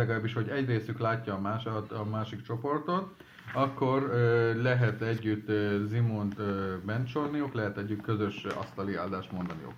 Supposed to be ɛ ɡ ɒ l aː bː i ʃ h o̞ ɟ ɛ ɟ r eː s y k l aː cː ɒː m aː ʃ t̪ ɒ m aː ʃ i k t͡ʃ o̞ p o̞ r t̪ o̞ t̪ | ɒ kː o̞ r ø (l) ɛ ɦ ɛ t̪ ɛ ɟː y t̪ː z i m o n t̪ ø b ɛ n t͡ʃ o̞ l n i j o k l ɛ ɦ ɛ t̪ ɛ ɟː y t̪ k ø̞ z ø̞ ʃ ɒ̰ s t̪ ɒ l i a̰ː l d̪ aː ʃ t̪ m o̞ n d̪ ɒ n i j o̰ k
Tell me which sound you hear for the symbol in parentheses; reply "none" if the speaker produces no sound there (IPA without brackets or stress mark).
l